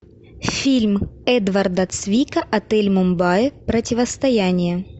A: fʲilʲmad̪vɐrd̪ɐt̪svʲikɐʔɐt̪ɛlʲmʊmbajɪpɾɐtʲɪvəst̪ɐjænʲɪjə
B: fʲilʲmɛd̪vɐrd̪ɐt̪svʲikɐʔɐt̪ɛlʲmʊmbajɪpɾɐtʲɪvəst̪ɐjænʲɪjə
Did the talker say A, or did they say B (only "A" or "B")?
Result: B